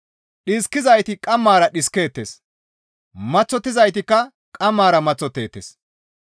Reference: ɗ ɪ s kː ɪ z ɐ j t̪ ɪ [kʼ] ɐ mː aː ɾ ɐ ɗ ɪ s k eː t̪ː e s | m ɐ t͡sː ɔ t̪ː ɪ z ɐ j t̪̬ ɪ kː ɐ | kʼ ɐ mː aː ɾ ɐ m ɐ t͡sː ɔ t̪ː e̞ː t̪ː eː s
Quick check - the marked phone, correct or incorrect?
correct